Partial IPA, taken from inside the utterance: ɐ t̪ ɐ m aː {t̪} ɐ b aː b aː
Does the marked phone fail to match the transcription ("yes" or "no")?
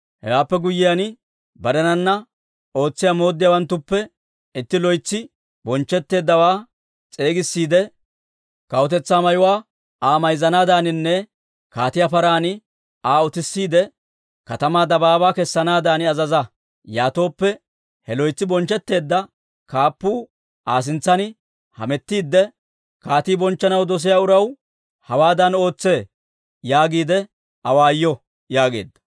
yes